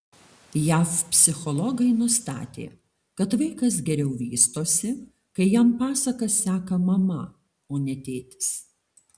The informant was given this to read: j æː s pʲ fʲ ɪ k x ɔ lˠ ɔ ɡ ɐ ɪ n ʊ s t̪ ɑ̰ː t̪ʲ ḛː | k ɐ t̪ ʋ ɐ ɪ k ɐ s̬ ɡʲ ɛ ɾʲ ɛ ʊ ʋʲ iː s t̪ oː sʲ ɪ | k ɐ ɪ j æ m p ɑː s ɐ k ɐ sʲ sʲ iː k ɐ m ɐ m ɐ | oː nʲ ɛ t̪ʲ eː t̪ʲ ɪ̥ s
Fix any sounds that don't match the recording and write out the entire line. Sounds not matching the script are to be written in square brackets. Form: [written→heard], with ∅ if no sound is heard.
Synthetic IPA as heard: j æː [s→f] pʲ [fʲ→sʲ] ɪ [k→∅] x ɔ lˠ ɔ ɡ ɐ ɪ n ʊ s t̪ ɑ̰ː t̪ʲ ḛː | k ɐ t̪ ʋ ɐ ɪ k ɐ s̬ ɡʲ ɛ ɾʲ ɛ ʊ ʋʲ iː s t̪ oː sʲ ɪ | k ɐ ɪ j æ m p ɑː s ɐ k ɐ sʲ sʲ [iː→æː] k ɐ m ɐ m ɐ | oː nʲ ɛ t̪ʲ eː t̪ʲ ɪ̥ s